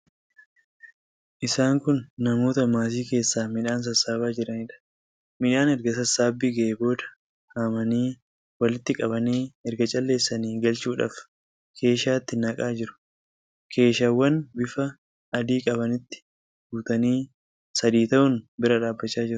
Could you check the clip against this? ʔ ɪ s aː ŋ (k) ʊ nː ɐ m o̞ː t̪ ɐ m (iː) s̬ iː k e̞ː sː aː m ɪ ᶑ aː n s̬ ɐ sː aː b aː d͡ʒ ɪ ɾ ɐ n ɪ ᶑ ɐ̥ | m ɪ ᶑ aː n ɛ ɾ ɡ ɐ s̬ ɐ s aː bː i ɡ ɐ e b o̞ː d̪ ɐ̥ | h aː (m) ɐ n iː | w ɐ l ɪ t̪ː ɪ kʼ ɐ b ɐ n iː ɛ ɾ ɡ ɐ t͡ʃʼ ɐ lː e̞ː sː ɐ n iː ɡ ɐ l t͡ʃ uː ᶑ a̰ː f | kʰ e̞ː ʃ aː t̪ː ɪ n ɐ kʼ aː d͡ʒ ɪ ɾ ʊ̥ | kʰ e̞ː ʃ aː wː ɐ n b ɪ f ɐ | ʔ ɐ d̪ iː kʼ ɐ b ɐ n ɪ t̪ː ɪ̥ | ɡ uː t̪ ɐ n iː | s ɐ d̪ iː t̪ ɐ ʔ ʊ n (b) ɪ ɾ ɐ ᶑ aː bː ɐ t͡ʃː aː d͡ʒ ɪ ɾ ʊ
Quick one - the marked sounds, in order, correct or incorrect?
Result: correct, incorrect, correct, correct

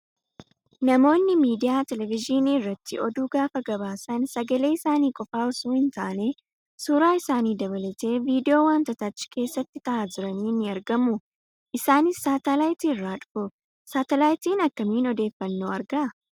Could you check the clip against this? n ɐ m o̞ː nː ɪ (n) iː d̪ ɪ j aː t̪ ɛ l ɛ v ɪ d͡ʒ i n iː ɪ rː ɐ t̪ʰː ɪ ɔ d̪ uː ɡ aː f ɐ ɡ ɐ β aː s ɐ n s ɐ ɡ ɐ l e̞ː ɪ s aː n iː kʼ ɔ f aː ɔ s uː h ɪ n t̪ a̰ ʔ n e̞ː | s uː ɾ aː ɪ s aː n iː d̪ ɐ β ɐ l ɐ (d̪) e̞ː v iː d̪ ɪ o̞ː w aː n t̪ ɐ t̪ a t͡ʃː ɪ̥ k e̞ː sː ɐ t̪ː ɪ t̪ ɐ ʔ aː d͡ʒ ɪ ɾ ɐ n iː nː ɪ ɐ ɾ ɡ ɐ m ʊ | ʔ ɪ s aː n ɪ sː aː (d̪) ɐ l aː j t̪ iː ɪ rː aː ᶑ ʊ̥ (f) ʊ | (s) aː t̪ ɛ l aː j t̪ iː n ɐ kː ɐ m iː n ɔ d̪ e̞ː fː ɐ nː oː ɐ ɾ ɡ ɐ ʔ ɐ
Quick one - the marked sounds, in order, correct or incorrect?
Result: incorrect, incorrect, incorrect, correct, correct

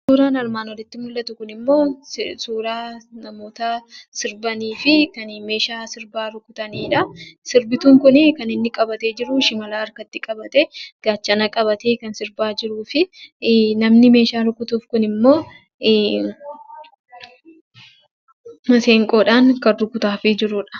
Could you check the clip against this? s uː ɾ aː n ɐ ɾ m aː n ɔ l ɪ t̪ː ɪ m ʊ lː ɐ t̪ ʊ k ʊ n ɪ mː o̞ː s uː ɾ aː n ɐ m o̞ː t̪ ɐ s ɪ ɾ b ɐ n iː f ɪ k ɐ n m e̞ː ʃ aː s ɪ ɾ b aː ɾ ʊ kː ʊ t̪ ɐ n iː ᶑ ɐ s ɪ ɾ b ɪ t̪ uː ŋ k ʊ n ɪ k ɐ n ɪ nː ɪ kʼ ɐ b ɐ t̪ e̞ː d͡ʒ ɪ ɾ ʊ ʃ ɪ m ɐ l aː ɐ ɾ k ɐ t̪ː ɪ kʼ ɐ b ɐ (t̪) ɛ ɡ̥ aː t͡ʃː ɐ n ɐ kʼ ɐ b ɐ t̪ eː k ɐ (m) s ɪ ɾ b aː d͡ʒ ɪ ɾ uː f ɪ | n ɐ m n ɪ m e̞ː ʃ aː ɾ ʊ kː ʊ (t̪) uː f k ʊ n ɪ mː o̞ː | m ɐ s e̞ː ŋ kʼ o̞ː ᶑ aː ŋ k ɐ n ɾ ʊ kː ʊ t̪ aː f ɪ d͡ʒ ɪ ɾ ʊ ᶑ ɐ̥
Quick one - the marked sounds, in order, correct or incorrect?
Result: correct, incorrect, correct

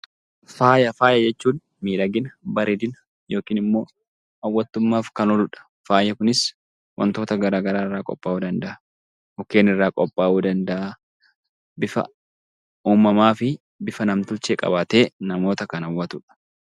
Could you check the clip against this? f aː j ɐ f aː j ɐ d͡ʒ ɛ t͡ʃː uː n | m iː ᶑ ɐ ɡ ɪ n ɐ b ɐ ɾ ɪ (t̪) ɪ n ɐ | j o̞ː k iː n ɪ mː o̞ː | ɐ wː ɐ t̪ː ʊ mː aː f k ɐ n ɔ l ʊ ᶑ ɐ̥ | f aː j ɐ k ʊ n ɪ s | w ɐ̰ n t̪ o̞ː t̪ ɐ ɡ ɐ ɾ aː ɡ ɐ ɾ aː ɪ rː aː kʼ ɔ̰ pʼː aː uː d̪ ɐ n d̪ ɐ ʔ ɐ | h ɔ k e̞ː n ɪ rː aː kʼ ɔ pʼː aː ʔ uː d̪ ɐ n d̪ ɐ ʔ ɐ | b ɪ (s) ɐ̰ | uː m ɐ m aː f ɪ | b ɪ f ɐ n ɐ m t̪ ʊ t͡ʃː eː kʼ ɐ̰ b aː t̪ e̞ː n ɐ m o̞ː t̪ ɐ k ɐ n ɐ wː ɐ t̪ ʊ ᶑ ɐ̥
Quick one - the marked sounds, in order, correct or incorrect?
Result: incorrect, incorrect

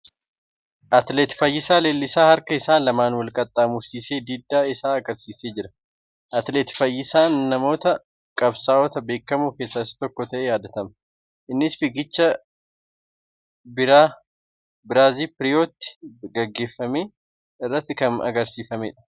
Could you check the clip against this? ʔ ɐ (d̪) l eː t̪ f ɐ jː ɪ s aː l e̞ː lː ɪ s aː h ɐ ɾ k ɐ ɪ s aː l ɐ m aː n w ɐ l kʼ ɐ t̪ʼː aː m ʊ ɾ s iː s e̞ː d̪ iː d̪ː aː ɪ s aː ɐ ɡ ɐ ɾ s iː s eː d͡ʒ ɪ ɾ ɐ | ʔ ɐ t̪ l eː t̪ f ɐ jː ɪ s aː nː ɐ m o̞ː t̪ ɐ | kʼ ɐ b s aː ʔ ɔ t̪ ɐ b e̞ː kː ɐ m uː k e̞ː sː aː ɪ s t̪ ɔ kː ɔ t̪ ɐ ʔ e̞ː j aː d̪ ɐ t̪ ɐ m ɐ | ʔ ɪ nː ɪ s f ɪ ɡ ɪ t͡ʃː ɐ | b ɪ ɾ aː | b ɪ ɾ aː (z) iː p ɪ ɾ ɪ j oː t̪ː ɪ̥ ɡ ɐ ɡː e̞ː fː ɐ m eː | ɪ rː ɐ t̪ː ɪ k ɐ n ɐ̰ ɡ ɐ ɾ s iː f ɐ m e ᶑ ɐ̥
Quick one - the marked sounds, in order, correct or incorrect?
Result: incorrect, correct

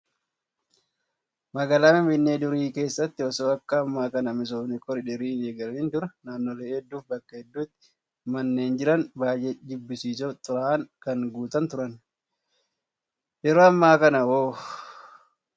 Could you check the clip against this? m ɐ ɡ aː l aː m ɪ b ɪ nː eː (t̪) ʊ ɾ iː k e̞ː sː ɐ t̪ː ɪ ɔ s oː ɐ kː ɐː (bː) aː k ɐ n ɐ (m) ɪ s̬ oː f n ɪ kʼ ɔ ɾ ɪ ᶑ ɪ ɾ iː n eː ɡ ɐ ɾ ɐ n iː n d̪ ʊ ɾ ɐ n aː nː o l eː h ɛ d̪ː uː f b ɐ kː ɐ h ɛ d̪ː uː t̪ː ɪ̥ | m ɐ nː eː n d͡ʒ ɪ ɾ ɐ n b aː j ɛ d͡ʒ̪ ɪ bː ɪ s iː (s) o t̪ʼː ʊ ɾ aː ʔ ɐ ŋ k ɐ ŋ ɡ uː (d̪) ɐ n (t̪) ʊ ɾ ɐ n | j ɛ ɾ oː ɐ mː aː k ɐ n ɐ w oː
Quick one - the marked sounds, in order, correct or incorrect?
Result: incorrect, incorrect, correct, correct, incorrect, correct

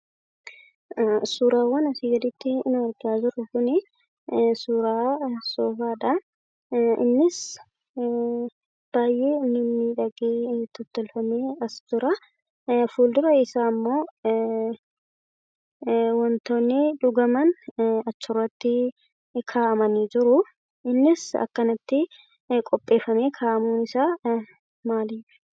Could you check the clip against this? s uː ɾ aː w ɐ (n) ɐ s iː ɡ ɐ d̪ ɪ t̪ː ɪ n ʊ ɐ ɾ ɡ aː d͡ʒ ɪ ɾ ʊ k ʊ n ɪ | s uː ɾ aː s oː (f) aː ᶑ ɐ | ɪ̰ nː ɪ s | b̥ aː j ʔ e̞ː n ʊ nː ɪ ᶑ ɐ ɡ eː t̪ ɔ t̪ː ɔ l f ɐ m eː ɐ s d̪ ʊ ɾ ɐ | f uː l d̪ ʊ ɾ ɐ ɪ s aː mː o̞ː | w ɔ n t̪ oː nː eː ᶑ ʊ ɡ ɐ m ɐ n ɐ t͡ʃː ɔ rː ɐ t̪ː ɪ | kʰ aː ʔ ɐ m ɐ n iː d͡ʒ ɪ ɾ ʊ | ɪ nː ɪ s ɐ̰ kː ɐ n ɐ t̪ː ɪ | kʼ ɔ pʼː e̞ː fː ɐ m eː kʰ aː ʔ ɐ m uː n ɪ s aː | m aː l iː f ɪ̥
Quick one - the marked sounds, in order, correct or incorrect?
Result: correct, correct

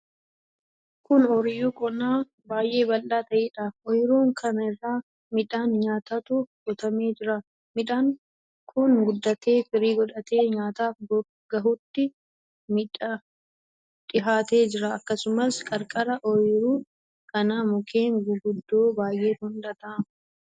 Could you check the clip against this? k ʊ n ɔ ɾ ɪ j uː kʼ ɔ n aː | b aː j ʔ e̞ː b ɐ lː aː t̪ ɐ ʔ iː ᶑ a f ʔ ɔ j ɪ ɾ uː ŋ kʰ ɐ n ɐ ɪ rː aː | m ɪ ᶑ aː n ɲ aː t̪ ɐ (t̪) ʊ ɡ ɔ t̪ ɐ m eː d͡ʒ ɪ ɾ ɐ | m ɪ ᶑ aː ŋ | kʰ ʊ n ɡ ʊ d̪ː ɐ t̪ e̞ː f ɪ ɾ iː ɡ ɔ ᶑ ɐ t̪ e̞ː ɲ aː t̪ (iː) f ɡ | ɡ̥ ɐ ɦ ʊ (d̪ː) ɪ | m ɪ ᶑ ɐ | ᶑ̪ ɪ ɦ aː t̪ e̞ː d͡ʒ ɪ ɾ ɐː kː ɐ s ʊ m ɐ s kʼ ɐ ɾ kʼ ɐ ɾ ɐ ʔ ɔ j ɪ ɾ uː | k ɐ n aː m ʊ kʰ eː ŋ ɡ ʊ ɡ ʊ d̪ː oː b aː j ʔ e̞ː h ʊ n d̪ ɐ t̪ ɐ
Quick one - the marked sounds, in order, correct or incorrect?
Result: correct, incorrect, incorrect

